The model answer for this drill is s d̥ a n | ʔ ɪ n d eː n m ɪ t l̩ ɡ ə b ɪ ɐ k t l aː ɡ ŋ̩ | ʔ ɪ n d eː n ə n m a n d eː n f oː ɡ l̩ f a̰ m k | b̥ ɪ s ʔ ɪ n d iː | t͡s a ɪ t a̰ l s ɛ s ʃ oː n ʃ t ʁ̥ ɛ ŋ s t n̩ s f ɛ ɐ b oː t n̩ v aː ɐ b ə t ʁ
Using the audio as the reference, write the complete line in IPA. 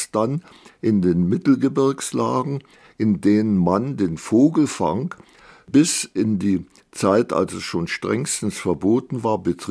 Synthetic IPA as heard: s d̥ a n | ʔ ɪ n d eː n m ɪ t l̩ ɡ ə b ɪ ɐ k s l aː ɡ ŋ̩ | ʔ ɪ n d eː n ə n m a n d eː n f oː ɡ l̩ f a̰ ŋ k | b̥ ɪ s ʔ ɪ n d iː | t͡s a ɪ t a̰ l s ɛ s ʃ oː n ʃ t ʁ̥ ɛ ŋ s t n̩ s f ɛ ɐ b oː t n̩ v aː ɐ b ə t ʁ